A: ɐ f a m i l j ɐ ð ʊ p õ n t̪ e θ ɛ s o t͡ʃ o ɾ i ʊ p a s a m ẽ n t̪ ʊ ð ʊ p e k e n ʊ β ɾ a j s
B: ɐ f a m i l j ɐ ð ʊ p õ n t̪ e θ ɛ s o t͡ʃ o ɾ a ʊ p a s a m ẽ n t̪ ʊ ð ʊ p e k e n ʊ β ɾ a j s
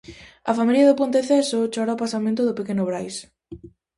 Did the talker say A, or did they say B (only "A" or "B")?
B